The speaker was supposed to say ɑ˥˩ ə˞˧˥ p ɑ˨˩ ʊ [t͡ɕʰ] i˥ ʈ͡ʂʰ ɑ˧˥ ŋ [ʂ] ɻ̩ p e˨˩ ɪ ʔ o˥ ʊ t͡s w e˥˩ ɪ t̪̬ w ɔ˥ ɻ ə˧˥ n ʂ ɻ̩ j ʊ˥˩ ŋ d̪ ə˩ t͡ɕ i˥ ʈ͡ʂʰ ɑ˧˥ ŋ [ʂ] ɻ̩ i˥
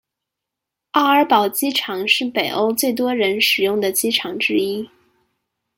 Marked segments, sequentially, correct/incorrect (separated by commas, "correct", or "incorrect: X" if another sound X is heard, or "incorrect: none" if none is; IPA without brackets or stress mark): incorrect: t͡ɕ, correct, incorrect: ʈ͡ʂ